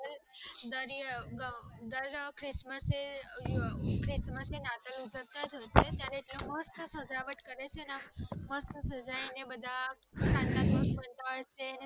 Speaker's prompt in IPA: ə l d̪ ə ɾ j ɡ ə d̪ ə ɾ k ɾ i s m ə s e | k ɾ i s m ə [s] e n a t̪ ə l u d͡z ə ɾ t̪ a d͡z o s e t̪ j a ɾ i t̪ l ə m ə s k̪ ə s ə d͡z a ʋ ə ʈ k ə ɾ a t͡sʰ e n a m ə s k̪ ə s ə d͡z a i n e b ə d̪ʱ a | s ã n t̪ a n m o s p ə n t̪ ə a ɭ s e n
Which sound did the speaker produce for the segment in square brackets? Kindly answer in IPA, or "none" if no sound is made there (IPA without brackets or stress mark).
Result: s